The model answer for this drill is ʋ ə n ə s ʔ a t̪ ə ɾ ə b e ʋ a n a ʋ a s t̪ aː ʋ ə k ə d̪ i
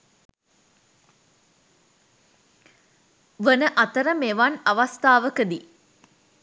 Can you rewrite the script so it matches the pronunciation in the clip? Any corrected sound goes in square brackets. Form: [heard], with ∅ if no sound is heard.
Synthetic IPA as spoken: ʋ ə n ə [∅] ʔ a t̪ ə ɾ ə [m] e ʋ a n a ʋ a s t̪ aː ʋ ə k ə d̪ i